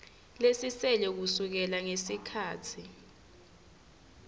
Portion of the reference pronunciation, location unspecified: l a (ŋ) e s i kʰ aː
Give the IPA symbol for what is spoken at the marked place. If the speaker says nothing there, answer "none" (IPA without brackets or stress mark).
ŋ